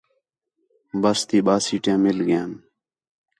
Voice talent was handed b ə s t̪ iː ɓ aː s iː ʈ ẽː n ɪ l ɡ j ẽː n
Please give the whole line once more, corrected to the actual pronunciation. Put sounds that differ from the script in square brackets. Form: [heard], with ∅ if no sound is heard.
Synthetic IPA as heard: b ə s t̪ iː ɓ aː s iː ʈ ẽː [m] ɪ l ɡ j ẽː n